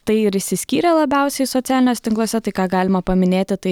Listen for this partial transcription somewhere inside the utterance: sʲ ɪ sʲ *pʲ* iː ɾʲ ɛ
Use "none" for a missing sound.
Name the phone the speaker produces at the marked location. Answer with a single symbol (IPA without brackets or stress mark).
kʲ